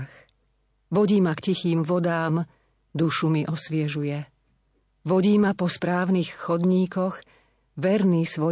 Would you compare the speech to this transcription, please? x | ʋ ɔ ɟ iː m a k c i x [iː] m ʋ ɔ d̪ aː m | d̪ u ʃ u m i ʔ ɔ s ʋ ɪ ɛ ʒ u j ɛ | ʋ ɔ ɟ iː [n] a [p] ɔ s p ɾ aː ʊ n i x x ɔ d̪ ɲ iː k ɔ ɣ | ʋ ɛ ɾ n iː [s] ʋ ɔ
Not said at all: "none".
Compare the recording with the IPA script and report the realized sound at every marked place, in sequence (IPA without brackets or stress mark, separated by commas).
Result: iː, m, p, s